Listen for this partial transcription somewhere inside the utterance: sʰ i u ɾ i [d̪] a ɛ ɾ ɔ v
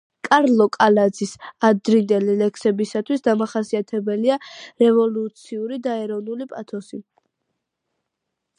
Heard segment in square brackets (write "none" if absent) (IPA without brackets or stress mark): d̪